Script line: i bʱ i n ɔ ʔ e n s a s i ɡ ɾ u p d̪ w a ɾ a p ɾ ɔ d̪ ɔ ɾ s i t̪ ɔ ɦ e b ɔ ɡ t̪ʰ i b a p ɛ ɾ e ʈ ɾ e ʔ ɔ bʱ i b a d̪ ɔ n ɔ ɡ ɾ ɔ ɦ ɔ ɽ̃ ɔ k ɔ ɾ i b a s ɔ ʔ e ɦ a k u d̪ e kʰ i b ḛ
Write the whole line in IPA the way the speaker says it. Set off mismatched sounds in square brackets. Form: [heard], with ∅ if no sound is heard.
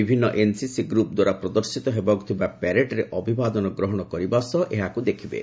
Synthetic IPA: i bʱ i [nː] ɔ ʔ e n s [i] s i ɡ ɾ u p d̪ w a ɾ a p ɾ ɔ d̪ ɔ ɾ s i t̪ ɔ ɦ e b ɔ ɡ t̪ʰ i b a p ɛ ɾ e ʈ ɾ e ʔ ɔ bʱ i b a d̪ ɔ n ɔ ɡ ɾ ɔ ɦ ɔ ɽ̃ ɔ k ɔ ɾ i b a s ɔ ʔ e ɦ a k u d̪ e kʰ i b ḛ